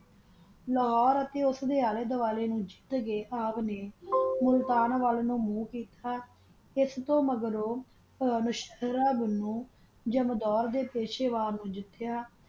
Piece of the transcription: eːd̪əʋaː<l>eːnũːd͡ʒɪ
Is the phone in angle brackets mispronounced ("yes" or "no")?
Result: no